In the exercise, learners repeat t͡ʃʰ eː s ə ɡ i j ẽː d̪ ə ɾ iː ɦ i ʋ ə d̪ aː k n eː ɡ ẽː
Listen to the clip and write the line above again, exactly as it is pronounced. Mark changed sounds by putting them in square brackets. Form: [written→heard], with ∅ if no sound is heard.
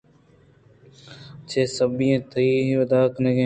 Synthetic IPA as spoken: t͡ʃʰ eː s ə [ɡ→b] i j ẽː [d̪→t̪] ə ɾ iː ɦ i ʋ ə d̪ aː k n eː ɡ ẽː